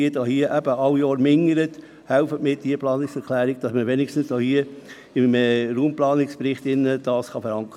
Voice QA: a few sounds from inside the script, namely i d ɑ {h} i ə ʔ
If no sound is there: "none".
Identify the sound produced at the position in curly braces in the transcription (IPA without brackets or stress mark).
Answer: h